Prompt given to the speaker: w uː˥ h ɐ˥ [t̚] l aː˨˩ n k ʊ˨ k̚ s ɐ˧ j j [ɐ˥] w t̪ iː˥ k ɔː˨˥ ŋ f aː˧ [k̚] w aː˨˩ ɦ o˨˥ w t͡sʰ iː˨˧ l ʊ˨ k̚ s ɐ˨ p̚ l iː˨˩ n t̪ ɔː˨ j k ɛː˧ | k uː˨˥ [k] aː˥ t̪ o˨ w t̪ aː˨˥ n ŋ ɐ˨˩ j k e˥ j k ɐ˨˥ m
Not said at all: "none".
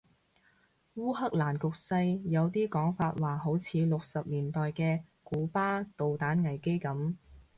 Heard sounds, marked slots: k̚, ɐ˨˧, t̚, p

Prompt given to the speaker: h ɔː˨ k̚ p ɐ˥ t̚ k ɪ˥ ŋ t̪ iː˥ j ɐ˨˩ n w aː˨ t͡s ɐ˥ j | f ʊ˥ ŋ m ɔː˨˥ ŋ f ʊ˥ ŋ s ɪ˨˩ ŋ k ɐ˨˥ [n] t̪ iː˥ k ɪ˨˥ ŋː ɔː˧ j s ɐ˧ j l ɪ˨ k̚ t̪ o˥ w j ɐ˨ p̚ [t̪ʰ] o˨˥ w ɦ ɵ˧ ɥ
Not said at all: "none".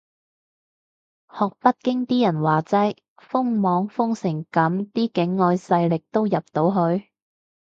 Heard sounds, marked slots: m, t̪

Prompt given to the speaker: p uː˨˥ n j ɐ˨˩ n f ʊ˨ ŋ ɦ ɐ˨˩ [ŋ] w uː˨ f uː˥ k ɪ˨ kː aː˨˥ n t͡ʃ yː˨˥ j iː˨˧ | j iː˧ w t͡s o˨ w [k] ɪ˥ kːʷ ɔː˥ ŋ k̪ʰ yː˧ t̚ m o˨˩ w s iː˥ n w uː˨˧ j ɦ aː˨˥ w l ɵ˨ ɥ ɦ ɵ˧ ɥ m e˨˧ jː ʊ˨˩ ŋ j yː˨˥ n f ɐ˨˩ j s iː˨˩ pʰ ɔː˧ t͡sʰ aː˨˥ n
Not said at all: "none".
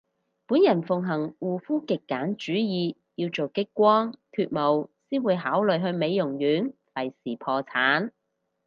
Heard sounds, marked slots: ŋ, k

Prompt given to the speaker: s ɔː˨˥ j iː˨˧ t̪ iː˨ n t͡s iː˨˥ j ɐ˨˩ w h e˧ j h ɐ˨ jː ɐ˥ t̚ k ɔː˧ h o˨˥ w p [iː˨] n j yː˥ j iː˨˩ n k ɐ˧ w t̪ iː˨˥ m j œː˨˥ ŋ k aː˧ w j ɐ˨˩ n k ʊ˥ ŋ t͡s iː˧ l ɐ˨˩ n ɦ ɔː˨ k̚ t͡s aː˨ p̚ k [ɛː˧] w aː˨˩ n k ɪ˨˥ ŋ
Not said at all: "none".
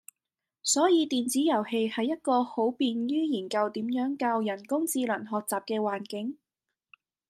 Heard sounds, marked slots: iː˨, ɛː˧

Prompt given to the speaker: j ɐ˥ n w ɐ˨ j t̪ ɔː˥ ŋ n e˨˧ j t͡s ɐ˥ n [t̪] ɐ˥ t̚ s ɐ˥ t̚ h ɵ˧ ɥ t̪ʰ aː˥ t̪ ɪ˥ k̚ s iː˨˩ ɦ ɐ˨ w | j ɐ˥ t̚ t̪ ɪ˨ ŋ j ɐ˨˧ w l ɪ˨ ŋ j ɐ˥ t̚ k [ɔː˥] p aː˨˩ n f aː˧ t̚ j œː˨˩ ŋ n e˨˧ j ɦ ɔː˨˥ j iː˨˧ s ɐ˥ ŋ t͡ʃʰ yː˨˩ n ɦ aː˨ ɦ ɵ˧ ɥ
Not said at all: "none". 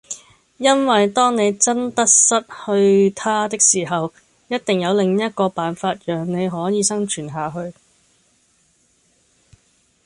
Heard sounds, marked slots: t̪, ɔː˧

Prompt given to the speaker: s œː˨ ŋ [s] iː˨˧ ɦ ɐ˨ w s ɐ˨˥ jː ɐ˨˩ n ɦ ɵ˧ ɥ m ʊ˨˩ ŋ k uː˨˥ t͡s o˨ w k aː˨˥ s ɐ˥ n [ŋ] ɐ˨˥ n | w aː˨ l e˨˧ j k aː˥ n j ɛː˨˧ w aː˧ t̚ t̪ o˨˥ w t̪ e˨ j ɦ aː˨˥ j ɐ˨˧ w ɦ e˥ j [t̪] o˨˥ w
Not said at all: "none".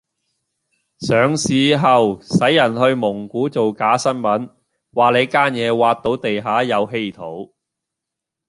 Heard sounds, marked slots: s, m, t̪ʰ

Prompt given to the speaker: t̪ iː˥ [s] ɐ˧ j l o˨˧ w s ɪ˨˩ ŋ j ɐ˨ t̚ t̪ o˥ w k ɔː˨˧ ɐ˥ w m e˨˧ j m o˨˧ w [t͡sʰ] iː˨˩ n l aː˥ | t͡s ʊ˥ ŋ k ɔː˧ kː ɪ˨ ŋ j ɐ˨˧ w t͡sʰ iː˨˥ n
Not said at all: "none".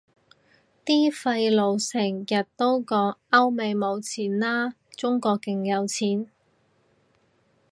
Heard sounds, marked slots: f, t͡sʰ

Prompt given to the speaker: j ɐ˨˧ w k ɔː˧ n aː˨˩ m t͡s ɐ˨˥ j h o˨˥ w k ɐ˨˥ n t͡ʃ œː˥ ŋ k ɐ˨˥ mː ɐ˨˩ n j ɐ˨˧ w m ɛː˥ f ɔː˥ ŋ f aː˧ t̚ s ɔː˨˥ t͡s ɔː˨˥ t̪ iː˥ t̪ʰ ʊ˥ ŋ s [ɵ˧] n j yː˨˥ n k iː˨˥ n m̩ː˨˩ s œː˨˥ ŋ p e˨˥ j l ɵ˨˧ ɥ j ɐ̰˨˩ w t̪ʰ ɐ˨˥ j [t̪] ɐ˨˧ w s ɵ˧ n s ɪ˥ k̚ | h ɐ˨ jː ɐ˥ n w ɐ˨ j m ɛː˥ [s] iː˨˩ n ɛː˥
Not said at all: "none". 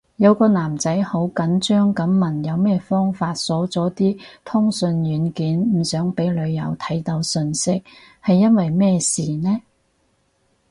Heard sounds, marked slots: ɵ˧, t̪, s

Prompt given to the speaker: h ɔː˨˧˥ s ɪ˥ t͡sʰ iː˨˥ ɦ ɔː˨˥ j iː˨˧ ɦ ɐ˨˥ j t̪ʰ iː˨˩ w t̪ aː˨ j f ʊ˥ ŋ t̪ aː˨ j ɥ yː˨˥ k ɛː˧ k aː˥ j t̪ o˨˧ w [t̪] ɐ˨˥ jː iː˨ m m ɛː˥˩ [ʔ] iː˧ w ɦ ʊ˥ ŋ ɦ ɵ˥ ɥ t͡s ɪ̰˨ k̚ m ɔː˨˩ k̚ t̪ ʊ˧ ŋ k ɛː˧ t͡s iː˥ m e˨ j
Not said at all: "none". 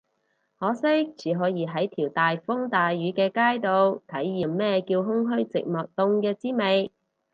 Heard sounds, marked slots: t̪ʰ, k

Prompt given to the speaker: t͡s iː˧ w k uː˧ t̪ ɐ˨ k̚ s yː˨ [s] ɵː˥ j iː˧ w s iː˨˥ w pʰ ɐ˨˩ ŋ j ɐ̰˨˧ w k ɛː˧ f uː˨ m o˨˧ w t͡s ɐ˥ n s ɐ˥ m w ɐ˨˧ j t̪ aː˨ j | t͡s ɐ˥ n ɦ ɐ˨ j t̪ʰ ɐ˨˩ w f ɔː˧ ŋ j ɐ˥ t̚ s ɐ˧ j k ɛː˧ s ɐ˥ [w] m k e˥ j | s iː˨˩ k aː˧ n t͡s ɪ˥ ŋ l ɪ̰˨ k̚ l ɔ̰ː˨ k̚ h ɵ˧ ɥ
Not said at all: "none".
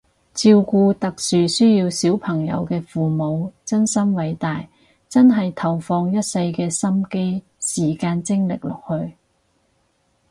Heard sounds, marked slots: s, none

